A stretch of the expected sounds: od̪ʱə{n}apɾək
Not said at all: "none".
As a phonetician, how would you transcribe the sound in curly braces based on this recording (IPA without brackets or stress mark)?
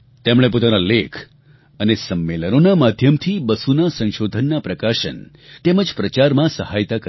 nː